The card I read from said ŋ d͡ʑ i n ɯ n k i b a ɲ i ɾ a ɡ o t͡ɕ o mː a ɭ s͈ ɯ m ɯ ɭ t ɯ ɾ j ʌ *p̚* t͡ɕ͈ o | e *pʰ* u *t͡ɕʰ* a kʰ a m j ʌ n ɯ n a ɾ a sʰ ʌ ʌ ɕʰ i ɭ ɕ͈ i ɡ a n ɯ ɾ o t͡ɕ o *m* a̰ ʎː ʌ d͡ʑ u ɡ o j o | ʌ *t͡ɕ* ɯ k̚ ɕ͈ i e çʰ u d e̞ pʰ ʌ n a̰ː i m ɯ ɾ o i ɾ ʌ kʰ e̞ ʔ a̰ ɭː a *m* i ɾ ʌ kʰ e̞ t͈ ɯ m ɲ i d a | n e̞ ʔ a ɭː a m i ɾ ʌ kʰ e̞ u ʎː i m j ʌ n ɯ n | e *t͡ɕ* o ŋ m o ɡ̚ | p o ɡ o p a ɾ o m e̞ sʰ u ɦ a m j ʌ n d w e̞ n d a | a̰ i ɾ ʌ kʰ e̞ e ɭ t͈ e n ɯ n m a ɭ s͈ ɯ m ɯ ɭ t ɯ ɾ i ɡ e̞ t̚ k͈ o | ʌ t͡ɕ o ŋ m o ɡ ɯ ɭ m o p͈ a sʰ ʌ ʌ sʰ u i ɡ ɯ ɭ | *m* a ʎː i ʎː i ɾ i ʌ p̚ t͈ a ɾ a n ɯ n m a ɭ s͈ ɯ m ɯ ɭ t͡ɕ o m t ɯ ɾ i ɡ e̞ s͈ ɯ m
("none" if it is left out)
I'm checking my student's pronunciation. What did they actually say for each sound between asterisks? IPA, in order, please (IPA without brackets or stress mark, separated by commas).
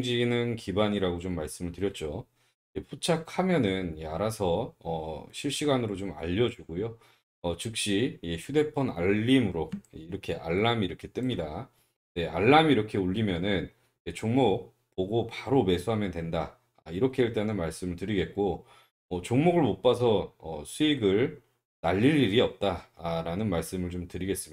t̚, pʰ, t͡ɕʰ, m, t͡ɕ, m, t͡ɕ, n